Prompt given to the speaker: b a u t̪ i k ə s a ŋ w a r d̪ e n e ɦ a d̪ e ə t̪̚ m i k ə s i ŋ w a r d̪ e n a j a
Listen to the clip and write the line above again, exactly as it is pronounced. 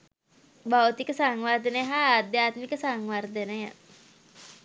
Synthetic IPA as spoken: b a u t̪ i k ə s a ŋ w a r d̪ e n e ɦ a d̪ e a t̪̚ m i k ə s a ŋ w a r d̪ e n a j a